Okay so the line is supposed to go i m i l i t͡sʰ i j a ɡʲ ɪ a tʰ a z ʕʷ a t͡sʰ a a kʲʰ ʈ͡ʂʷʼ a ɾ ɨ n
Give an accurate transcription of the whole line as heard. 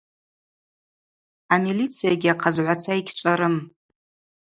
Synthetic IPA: a m i l i t͡sʰ i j a ɡʲ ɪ a qʰ a z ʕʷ a t͡sʰ a i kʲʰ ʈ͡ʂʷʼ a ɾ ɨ m